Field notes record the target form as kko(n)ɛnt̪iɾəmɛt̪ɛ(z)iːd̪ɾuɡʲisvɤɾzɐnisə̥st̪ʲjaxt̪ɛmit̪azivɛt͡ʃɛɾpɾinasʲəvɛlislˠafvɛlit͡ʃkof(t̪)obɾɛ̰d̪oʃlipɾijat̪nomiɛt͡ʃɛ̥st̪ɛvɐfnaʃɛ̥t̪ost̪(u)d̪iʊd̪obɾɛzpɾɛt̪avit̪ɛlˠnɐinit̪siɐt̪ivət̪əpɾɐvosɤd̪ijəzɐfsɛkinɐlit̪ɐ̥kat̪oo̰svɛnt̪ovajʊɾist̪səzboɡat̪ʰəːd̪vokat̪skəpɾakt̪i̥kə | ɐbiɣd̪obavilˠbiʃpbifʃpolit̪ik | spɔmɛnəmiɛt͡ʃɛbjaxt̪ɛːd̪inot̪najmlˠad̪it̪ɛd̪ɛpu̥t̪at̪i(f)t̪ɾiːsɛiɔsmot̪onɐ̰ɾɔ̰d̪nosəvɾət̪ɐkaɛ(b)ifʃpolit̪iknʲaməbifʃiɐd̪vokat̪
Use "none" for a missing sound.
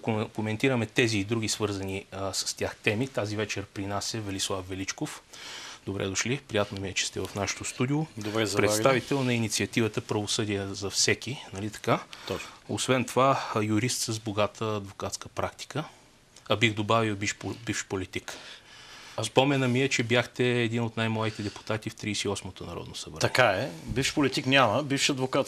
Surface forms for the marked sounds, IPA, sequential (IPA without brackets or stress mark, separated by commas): m, z, d̪, u, f, b